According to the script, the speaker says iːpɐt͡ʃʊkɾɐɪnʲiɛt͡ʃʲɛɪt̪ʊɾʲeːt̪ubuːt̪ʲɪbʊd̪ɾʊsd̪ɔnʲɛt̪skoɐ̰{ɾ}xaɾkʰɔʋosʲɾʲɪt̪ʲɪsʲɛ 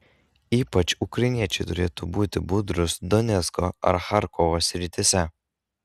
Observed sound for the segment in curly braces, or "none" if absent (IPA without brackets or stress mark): ɾ